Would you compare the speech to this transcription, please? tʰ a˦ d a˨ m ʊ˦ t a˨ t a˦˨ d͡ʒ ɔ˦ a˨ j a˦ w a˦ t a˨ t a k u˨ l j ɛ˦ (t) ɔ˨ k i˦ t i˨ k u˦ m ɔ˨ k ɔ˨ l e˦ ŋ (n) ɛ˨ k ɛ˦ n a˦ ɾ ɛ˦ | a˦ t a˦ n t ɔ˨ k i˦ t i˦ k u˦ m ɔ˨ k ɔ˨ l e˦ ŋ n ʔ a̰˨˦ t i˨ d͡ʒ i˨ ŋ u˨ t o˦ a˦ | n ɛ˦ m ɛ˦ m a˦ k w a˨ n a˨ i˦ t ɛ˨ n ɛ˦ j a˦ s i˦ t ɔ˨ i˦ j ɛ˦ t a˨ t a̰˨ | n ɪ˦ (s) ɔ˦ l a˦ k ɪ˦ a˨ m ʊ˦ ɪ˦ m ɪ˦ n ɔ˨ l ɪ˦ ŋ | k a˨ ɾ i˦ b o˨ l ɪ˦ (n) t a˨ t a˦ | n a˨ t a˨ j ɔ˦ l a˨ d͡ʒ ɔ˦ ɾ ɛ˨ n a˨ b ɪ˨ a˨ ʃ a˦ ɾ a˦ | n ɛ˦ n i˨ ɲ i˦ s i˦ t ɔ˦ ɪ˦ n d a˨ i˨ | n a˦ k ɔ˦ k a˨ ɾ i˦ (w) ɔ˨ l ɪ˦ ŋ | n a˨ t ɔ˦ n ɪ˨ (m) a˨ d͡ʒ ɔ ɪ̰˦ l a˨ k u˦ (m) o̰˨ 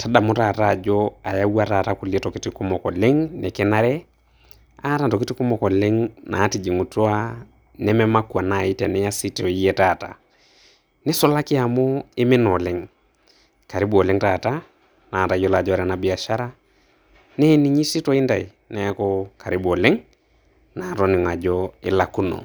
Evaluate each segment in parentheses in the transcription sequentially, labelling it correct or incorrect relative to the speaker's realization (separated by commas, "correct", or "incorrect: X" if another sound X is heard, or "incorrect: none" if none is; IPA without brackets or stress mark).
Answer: correct, correct, correct, incorrect: ŋ, incorrect: b, incorrect: ŋ, incorrect: n